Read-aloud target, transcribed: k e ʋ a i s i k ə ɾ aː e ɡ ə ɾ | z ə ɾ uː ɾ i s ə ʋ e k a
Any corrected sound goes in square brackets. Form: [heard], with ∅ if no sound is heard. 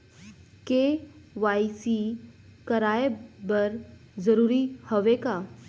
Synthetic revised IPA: k e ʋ a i s i k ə ɾ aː e [b] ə ɾ | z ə ɾ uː ɾ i [h] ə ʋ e k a